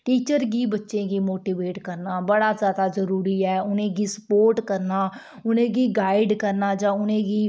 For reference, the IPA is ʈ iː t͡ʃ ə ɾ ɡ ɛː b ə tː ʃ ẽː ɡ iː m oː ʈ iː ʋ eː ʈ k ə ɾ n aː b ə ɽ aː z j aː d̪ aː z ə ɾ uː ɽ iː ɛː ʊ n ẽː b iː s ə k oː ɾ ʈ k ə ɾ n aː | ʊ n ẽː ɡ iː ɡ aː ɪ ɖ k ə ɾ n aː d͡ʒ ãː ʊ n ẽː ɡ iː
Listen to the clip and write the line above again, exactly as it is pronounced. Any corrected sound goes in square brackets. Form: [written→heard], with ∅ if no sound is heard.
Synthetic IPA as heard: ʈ iː t͡ʃ ə ɾ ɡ [ɛː→iː] b ə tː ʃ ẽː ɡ iː m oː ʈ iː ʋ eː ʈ k ə ɾ n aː b ə ɽ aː z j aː d̪ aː z ə ɾ uː [ɽ→ɾ] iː ɛː ʊ n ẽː [b→ɡ] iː s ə [k→p] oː ɾ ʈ k ə ɾ n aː | ʊ n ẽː ɡ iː ɡ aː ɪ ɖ k ə ɾ n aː d͡ʒ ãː ʊ n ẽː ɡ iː